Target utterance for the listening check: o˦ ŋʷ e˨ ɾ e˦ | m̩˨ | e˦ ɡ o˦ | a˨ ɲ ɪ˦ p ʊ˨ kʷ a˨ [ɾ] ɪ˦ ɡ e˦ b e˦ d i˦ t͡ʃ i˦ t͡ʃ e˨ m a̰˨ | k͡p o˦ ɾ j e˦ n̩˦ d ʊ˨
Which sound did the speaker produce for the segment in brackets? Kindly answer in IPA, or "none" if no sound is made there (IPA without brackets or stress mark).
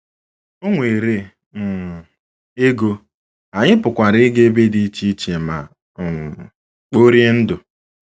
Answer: ɾ